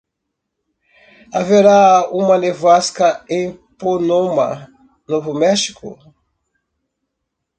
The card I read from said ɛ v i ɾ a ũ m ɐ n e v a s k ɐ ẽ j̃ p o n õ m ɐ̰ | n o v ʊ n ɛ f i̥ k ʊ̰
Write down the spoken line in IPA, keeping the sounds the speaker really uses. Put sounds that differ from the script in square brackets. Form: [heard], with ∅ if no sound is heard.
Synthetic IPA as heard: [a] v [e] ɾ a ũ m ɐ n e v a s k ɐ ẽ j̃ p o n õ m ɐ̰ | n o v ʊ [m] ɛ [ʃ] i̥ k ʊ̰